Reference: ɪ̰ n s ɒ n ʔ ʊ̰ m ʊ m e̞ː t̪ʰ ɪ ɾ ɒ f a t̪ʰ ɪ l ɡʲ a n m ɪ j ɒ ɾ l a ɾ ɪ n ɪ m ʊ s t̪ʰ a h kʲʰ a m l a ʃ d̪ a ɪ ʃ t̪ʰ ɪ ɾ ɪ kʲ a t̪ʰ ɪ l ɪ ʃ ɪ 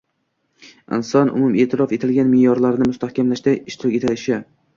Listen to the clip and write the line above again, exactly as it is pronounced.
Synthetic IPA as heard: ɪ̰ n s ɒ n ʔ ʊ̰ m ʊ m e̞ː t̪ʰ ɪ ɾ ɒ f e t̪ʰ ɪ l ɡʲ a n m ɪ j ɒ ɾ l a ɾ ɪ n ɪ m ʊ s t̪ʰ a h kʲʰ a m l a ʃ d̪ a ɪ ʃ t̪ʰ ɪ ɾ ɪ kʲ e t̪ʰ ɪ l ɪ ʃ ɪ